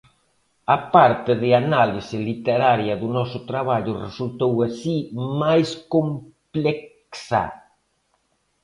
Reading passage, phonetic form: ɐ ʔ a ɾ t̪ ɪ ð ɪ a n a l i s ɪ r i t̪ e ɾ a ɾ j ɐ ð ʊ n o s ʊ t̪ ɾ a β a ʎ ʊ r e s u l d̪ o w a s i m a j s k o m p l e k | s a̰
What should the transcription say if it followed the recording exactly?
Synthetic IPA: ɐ p a ɾ t̪ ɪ ð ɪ a n a l i s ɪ l i t̪ e ɾ a ɾ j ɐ ð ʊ n ɔ s ʊ t̪ ɾ a β a ʎ ʊ r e s u l t̪ o w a s i m a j s k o m p l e k | s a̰

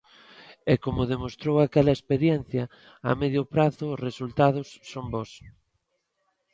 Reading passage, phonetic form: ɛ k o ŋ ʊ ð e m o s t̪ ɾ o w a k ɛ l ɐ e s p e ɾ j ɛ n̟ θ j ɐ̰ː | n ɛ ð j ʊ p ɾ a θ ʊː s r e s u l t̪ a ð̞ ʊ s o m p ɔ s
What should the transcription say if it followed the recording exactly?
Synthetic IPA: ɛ k o m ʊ ð e m o s t̪ ɾ o w a k ɛ l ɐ e s p e ɾ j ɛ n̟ θ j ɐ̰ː | m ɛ ð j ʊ p ɾ a θ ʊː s r e s u l t̪ a ð̞ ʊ sː o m b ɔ s

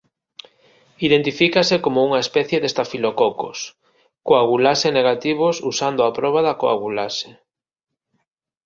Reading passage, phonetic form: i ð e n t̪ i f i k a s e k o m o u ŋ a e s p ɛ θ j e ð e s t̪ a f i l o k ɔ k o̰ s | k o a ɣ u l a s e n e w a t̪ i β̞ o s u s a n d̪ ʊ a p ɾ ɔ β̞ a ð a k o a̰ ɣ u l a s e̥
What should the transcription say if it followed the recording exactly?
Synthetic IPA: i ð e n t̪ i f i k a s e k o m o u ŋ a e s p ɛ θ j e ð e s t̪ a f i l o k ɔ k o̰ s | k o a ɣ u l a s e n e ɣ a t̪ i β̞ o s u s a n d̪ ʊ a p ɾ ɔ β̞ a ð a k o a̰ ɣ u l a s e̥

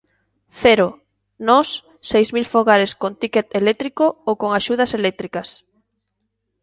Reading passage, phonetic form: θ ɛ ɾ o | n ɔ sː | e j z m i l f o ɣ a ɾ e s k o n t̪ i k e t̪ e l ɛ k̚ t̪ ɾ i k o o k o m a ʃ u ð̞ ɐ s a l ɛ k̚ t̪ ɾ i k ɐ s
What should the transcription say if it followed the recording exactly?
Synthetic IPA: θ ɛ ɾ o | n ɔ sː | e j z m i l f o ɣ a ɾ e s k o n t̪ i k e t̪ e l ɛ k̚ t̪ ɾ i k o o k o ŋ a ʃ u ð̞ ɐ s e l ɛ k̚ t̪ ɾ i k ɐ s

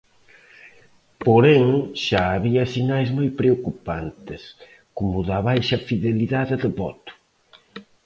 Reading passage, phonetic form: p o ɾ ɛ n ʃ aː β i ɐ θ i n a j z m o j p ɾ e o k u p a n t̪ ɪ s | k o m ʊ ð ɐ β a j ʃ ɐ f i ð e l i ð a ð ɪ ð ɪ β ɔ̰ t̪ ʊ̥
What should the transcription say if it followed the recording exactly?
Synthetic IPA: p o ɾ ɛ ŋ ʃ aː β i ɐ s i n a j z m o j p ɾ e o k u p a n t̪ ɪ s | k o m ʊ ð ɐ β a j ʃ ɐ f i ð e l i ð a ð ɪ ð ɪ β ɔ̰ t̪ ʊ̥

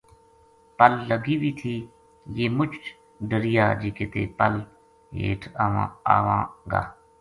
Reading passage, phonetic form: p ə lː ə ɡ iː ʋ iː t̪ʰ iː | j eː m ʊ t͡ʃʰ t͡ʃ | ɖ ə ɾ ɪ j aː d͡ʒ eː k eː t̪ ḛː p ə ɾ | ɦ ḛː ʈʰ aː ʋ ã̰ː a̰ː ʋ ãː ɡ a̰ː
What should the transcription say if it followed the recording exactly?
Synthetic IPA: p ə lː ə ɡ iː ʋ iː t̪ʰ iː | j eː m ʊ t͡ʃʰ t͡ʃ | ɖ ə ɾ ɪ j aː d͡ʒ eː k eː t̪ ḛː p ə l | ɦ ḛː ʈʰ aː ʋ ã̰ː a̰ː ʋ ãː ɡ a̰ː

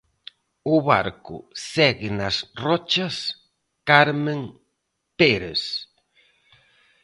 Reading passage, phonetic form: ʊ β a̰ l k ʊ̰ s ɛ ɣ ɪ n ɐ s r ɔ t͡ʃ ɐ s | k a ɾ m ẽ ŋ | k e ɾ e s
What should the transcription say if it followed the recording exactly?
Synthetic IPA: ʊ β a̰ ɾ k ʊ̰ s ɛ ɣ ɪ n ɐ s r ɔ t͡ʃ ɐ s | k a ɾ m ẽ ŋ | p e ɾ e s

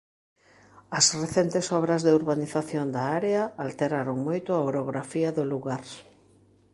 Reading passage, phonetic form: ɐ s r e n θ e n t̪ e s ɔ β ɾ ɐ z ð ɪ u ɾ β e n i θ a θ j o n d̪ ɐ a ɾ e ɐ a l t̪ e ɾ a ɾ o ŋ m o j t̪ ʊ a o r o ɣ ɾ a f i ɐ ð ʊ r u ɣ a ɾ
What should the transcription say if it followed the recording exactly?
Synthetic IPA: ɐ s r e θ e n t̪ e s ɔ β ɾ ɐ z ð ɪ u ɾ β a n i θ a θ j o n d̪ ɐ a ɾ e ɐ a l t̪ e ɾ a ɾ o ŋ m o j t̪ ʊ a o ɾ o ɣ ɾ a f i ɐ ð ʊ l u ɣ a ɾ

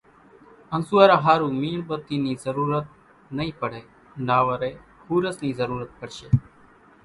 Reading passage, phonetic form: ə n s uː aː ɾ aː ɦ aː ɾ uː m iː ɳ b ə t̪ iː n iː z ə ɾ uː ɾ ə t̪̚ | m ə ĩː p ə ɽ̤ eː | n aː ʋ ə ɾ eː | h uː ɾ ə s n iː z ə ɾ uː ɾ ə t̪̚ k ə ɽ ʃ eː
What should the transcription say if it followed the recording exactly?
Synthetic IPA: ə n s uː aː ɾ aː ɦ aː ɾ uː m iː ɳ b ə t̪ iː n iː z ə ɾ uː ɾ ə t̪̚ | n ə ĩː p ə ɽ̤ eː | n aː ʋ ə ɾ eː | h uː ɾ ə s n iː z ə ɾ uː ɾ ə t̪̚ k ə ɽ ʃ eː

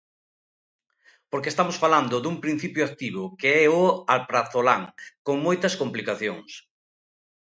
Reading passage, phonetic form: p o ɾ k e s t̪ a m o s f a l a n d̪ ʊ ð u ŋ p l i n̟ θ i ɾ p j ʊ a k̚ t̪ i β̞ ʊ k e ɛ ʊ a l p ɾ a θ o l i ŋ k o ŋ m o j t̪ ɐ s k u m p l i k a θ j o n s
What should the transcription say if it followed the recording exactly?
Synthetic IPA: p o ɾ k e s t̪ a m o s f a l a n d̪ ʊ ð u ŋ p ɾ i n̟ θ i p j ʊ a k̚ t̪ i β̞ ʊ k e ɛ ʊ a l p ɾ a θ o l a ŋ k o ŋ m o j t̪ ɐ s k o m p l i k a θ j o ŋ s

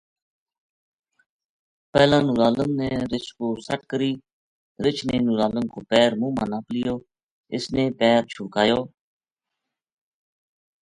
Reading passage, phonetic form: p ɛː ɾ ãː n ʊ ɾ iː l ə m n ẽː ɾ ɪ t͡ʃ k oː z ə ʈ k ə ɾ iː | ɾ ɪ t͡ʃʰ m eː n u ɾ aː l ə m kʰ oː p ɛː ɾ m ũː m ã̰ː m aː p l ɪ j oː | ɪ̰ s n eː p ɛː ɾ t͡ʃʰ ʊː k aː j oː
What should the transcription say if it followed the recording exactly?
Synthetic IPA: p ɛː l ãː n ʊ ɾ aː l ə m n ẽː ɾ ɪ t͡ʃ k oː s ə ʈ k ə ɾ iː | ɾ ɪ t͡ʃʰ n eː n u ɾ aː l ə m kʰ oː p ɛː ɾ m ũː m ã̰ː n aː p l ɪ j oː | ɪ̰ s n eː p ɛː ɾ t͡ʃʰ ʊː k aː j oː

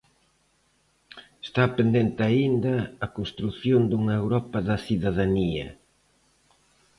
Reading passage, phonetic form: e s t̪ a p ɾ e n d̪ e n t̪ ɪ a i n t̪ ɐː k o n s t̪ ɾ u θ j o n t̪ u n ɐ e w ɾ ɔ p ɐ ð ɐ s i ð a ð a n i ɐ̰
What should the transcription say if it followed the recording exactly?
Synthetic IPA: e s t̪ a p ɾ e n d̪ e n t̪ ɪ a i n d̪ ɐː k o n s t̪ ɾ u θ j o n d̪ u ŋ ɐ e w ɾ ɔ p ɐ ð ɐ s i ð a ð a n i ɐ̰

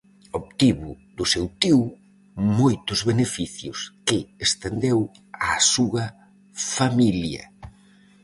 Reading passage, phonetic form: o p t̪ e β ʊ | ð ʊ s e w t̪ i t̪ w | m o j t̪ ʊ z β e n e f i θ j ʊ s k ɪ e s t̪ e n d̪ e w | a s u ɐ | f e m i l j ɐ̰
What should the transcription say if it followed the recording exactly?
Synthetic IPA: o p t̪ i β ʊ | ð ʊ s e w t̪ i w | m o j t̪ ʊ z β e n e f i θ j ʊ s k ɪ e s t̪ e n d̪ e w | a s u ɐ | f a m i l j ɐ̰

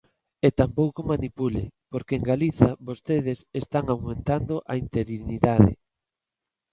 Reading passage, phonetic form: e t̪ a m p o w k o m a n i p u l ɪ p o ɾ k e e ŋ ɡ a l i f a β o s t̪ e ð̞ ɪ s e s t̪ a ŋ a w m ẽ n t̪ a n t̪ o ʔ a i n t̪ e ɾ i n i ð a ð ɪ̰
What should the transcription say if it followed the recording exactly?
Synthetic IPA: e t̪ a m p o w k o m a n i p u l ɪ p o ɾ k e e ŋ ɡ a l i θ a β o s t̪ e ð̞ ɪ s e s t̪ a ŋ a w m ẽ n t̪ a n d̪ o ʔ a i n t̪ e ɾ i n i ð a ð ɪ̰

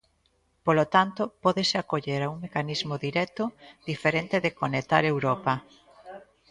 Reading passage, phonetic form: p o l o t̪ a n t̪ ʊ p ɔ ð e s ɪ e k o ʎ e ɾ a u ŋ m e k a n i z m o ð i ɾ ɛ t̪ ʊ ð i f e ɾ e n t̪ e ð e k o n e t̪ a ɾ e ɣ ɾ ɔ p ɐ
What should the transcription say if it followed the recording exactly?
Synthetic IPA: p o l o t̪ a n t̪ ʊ p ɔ ð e s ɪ a k o ʎ e ɾ a u ŋ m e k a n i z m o ð i ɾ ɛ t̪ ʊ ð i f e ɾ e n t̪ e ð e k o n e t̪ a ɾ e w ɾ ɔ p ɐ

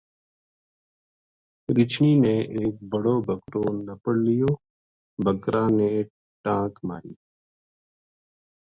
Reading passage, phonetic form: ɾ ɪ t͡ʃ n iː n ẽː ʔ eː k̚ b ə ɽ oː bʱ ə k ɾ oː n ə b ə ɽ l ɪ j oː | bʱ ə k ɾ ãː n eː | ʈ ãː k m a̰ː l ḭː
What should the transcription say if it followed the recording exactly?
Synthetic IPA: ɾ ɪ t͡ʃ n iː n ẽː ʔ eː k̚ b ə ɽ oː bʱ ə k ɾ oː n ə p ə ɽ l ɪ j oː | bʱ ə k ɾ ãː n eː | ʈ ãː k m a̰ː ɾ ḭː

